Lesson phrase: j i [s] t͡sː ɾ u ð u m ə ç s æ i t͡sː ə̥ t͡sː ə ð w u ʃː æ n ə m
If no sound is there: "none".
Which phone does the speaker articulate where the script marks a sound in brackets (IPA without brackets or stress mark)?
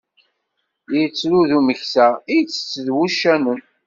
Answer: none